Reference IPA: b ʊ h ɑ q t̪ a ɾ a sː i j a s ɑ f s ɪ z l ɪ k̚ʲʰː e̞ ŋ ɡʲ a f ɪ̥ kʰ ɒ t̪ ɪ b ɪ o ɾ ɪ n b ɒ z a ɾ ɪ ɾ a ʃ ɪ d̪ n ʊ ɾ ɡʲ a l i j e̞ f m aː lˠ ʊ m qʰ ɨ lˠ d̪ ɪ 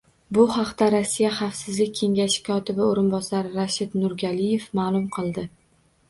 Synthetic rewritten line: b ʊ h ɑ q t̪ a ɾ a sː i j a χ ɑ f s ɪ z l ɪ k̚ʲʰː e̞ ŋ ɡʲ a ʃ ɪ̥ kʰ ɒ t̪ ɪ b ɪ o ɾ ɪ n b ɒ s a ɾ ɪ ɾ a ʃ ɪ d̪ n ʊ ɾ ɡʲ a l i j e̞ f m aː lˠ ʊ m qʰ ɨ lˠ d̪ ɪ